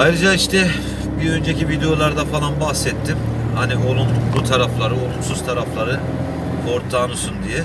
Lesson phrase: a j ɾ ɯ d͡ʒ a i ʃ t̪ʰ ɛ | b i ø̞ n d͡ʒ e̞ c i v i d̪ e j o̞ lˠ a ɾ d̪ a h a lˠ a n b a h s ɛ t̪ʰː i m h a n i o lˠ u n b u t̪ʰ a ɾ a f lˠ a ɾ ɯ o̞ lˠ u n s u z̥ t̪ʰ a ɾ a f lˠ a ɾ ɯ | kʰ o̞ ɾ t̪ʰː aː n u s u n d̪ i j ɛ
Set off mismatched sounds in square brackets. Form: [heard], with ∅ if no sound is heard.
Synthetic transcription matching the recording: a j ɾ ɯ d͡ʒ a i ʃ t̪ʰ ɛ | b i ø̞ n d͡ʒ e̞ c i v i d̪ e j o̞ lˠ a ɾ d̪ a [f] a lˠ a n b a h s ɛ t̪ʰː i m h a n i o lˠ u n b u t̪ʰ a ɾ a f lˠ a ɾ ɯ o̞ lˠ u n s u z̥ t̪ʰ a ɾ a f lˠ a ɾ ɯ | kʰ o̞ ɾ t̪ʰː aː n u s u n d̪ i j ɛ